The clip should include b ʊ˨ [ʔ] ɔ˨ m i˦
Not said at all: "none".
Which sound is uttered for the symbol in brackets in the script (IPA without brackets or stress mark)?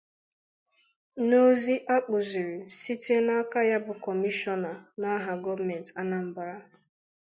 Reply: k